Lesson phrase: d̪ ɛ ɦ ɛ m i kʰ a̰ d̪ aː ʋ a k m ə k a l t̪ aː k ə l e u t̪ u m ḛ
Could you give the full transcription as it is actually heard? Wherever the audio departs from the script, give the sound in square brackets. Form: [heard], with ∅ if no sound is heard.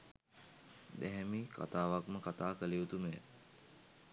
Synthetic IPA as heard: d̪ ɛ ɦ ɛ m i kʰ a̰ [t̪] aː ʋ a k m ə k a [∅] t̪ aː k ə l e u t̪ u m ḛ